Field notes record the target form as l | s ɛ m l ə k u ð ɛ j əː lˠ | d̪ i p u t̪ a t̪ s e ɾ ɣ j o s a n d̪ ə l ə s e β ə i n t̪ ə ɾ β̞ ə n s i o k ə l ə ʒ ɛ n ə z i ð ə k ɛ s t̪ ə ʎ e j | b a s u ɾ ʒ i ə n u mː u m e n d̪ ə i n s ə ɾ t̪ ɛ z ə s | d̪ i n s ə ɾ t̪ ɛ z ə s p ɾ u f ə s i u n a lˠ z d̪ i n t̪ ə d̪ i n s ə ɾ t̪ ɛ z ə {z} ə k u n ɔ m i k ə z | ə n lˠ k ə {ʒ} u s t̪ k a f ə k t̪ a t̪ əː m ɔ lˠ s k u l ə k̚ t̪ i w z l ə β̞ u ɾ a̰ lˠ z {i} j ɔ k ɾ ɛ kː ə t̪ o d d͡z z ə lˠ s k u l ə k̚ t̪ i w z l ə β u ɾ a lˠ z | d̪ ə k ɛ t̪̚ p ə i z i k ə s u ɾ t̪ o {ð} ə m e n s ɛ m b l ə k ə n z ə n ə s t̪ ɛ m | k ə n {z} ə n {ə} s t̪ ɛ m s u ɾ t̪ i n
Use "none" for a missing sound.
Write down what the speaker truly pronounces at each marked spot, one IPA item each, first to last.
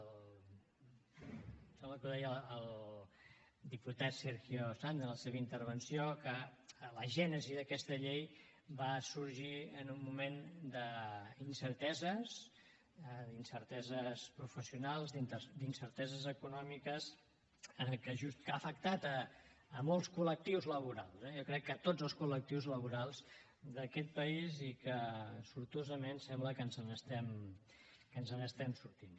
z, ʒ, ɛ, z, z, ə

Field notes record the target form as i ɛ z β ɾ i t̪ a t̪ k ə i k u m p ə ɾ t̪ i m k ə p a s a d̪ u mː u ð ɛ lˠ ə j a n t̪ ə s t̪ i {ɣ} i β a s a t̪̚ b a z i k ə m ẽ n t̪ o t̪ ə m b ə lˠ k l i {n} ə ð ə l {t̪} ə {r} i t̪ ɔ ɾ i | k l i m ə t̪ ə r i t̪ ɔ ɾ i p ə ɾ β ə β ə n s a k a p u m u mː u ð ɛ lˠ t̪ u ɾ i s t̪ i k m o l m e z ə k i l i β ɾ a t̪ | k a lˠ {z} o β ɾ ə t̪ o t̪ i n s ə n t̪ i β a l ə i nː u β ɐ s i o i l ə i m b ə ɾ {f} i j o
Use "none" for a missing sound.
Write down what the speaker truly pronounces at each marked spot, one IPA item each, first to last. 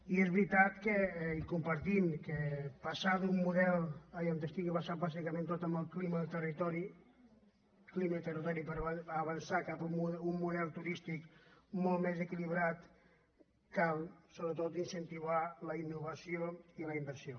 ɣ, m, t̪, r, s, s

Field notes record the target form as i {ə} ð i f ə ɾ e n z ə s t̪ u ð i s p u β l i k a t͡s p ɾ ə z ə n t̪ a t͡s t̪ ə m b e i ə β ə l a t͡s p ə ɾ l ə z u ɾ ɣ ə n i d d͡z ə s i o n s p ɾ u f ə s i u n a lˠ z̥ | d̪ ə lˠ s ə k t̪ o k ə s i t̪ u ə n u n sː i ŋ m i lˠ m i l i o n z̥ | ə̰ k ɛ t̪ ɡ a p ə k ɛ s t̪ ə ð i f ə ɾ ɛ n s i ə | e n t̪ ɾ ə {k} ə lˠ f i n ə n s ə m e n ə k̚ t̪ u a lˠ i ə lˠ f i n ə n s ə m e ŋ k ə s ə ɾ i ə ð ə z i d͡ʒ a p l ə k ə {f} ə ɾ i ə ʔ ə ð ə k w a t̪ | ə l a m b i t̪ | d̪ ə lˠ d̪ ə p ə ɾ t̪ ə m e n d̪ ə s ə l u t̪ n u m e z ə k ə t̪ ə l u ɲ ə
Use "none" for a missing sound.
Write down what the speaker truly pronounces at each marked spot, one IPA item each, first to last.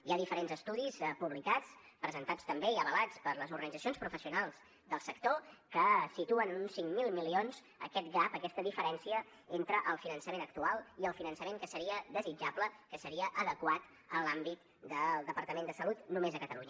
a, ʔ, s

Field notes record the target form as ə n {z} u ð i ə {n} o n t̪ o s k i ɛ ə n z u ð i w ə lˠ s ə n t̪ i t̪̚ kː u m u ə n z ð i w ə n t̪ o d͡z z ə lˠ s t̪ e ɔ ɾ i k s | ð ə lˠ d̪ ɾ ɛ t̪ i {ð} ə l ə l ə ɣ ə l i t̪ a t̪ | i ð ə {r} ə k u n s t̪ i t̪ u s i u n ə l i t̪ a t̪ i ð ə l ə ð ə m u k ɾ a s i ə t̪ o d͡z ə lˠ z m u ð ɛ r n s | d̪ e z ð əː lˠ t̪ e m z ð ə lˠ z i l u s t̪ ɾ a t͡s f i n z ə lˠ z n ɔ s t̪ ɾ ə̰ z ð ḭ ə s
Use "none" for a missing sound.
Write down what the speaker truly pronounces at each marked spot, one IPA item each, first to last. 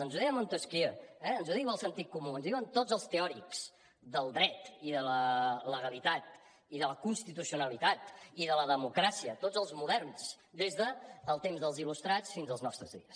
z, m, ð, l

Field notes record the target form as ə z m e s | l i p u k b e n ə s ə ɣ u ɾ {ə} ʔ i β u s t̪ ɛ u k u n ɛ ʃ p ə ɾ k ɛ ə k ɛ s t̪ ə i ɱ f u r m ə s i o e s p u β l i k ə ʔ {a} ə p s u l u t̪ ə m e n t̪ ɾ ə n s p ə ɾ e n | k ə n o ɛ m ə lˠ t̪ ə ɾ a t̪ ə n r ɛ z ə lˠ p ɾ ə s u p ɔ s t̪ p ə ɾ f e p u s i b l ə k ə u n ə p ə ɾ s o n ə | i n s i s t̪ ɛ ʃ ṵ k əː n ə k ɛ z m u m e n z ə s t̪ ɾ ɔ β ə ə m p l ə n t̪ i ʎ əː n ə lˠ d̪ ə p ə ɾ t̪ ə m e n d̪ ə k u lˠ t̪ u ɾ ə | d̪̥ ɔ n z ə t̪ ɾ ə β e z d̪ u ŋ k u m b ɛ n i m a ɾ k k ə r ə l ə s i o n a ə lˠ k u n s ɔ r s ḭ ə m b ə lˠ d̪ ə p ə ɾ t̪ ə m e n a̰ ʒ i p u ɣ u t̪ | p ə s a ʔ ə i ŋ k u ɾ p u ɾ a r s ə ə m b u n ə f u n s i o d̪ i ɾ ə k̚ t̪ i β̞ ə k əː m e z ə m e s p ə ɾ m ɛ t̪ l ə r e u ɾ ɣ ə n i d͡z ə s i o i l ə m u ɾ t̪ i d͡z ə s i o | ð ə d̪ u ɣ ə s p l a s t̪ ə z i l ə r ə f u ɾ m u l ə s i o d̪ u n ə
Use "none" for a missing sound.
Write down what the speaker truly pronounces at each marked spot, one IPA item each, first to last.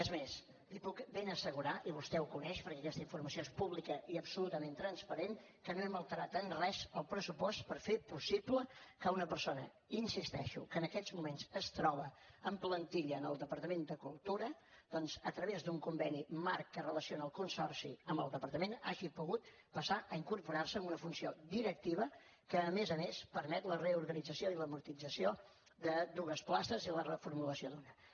a, i

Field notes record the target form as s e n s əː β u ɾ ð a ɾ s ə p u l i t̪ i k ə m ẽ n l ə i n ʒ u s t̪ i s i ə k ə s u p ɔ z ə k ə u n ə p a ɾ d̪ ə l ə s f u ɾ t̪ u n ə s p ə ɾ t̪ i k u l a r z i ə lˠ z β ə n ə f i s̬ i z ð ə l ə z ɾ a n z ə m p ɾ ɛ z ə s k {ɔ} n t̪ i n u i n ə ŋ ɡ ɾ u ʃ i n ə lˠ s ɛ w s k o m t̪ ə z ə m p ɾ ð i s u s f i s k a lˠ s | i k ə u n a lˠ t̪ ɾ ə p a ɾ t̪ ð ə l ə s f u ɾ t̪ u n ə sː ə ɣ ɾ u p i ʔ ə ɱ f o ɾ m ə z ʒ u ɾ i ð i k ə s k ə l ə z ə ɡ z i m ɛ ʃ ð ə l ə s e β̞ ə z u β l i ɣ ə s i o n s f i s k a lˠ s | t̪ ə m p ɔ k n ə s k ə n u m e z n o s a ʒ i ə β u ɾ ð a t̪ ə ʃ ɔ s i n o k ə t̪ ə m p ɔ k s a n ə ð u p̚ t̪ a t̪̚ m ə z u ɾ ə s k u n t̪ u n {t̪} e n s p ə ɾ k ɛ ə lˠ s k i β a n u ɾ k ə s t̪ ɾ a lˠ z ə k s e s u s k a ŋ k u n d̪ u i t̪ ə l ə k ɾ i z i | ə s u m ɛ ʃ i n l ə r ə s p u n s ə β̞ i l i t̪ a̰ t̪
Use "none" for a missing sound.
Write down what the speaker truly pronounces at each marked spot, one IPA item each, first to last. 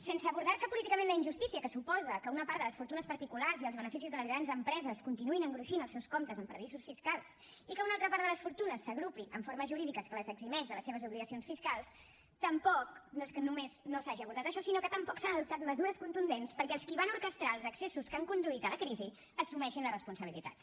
u, d̪

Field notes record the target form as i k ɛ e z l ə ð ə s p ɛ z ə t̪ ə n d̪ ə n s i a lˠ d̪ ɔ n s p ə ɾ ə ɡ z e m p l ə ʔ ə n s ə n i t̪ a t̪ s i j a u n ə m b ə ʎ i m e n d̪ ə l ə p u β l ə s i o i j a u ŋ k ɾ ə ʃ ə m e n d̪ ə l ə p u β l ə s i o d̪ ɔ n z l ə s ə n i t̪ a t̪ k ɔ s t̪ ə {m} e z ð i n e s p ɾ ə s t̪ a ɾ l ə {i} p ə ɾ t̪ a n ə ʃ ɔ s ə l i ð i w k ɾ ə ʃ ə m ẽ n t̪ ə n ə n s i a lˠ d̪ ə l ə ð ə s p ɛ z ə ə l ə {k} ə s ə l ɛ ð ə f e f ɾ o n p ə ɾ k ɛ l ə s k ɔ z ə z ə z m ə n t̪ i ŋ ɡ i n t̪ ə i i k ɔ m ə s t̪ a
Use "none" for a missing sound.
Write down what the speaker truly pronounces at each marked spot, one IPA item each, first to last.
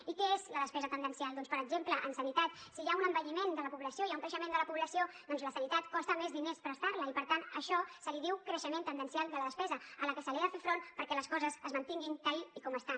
m, i, k

